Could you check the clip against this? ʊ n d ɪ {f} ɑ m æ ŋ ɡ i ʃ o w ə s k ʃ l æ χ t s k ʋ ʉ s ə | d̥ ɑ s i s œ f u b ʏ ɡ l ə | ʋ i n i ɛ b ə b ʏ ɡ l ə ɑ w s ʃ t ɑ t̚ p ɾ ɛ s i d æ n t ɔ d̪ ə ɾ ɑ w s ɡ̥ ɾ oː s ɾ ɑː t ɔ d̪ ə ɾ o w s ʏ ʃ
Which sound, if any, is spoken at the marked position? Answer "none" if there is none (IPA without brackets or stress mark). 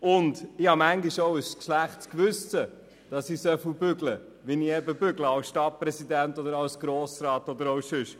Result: h